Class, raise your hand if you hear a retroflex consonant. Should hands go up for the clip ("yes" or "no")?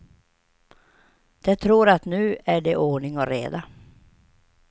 yes